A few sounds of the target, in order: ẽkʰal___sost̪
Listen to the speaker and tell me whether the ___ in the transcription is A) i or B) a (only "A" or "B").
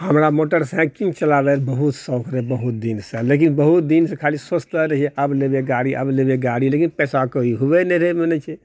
A